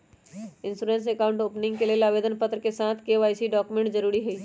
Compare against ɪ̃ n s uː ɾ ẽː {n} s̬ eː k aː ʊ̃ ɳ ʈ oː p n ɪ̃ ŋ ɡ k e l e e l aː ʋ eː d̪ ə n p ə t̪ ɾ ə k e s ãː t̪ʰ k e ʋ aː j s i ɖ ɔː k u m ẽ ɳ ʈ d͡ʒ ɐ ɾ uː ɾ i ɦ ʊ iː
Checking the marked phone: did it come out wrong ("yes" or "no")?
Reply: no